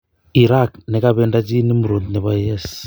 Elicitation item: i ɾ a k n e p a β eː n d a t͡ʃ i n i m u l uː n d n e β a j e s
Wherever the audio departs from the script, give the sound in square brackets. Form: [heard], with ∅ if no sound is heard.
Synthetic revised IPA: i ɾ a k n e [k] a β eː n d a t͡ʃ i n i m u [ɾ] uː n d n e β a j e s